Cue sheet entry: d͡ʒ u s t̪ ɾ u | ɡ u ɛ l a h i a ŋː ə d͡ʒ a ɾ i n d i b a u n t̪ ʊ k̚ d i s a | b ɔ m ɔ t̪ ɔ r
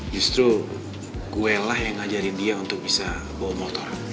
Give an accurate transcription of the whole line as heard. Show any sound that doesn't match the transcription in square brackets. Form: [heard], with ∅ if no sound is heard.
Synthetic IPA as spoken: d͡ʒ u s t̪ ɾ u | ɡ u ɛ l a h [j] a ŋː [a] d͡ʒ a ɾ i n d i [∅] a u n t̪ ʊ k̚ [b] i s a | b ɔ m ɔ t̪ ɔ r